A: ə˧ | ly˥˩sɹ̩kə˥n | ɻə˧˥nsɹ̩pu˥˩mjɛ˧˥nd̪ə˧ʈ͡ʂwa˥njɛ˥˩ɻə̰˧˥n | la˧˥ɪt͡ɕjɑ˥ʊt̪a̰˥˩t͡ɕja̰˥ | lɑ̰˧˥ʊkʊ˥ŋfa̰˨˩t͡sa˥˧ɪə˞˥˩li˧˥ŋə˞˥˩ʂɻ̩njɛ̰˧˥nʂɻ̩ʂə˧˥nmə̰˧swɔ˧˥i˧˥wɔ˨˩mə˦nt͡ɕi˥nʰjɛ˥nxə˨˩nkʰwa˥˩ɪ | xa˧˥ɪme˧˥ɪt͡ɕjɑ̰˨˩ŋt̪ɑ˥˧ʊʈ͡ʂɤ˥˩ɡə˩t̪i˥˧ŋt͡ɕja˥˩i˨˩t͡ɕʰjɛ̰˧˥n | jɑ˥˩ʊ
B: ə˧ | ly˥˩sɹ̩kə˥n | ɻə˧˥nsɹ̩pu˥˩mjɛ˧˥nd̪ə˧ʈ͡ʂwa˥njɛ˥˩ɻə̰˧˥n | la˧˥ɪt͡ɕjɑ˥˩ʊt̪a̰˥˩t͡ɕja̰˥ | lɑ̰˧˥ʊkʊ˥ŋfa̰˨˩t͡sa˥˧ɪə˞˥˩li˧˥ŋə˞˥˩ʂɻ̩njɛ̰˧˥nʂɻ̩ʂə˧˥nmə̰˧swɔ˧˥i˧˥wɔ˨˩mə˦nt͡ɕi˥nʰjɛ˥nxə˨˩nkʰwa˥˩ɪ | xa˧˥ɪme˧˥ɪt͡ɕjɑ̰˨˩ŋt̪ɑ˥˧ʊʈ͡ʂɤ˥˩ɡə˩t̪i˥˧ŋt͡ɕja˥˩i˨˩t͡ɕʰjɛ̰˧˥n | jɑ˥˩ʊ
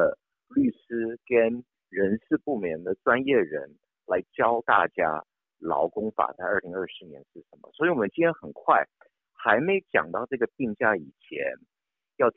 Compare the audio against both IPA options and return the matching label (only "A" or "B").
A